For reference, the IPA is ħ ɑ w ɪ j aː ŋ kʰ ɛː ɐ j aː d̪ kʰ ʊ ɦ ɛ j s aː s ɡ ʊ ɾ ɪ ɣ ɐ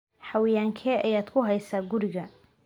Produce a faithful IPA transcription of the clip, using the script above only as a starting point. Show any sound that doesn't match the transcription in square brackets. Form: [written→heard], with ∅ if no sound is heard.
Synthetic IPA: ħ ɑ w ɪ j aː ŋ kʰ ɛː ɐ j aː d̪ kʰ ʊ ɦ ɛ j s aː [s→∅] ɡ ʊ ɾ ɪ ɣ ɐ